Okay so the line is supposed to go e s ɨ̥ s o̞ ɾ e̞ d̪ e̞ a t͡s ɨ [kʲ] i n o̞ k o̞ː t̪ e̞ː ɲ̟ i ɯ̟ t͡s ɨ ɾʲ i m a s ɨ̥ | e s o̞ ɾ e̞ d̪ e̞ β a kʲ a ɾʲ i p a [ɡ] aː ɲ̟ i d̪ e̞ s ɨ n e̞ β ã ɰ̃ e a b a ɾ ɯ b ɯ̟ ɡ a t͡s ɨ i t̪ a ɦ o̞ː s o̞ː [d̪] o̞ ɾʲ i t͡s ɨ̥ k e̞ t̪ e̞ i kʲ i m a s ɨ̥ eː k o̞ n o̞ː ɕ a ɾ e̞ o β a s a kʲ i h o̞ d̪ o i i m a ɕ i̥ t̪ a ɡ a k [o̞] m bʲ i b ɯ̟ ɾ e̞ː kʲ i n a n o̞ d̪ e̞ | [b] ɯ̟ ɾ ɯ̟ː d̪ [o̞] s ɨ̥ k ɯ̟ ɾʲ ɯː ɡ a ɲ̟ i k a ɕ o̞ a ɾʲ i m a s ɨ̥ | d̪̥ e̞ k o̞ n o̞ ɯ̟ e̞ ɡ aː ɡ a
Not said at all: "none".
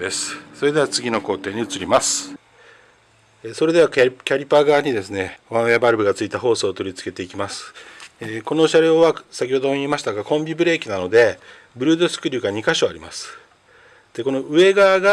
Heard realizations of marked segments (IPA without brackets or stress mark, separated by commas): ɡʲ, ɡ, t̪, õ̞, b, o̞